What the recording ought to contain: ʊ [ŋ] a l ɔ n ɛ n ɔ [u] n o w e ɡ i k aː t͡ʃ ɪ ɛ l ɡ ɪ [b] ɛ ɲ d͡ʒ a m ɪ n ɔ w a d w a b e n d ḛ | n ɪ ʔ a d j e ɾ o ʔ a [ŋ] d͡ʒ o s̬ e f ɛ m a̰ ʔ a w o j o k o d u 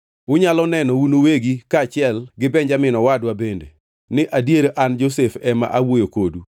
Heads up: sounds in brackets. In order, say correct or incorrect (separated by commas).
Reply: incorrect, correct, correct, incorrect